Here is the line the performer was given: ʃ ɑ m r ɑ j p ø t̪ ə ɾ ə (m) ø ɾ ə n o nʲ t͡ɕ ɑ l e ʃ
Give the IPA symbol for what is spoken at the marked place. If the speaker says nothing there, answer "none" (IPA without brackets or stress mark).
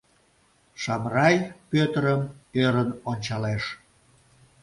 m